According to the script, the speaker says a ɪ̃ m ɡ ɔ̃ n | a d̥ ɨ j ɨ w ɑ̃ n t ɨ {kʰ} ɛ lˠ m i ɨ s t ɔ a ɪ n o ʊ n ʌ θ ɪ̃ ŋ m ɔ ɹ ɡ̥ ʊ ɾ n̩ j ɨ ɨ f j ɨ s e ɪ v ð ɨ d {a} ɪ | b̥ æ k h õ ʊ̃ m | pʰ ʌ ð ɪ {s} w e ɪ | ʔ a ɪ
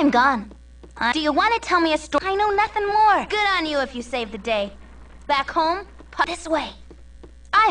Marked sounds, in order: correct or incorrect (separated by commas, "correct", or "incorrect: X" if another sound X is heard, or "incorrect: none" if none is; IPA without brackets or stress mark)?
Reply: incorrect: tʰ, incorrect: e, correct